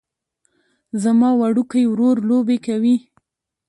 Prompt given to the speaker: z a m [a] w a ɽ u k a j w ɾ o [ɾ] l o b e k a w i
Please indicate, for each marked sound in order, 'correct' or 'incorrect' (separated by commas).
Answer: incorrect, correct